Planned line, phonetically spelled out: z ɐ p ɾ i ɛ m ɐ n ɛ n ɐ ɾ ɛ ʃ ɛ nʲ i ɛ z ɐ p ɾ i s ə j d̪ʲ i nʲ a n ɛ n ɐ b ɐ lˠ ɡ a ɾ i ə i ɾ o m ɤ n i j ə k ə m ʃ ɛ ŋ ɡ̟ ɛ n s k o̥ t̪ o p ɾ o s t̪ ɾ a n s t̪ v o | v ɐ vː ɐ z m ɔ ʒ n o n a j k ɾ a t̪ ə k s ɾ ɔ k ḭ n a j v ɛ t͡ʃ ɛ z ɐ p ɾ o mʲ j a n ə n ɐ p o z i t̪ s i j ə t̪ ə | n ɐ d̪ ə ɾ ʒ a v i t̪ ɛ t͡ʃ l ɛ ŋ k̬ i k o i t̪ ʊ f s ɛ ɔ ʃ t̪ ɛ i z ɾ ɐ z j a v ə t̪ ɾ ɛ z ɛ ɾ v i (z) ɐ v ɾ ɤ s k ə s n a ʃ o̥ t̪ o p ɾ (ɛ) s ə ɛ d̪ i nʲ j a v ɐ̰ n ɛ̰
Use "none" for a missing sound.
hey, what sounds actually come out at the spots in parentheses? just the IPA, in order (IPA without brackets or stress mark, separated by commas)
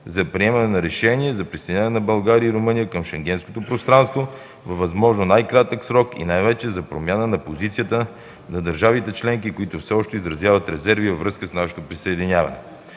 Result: v, i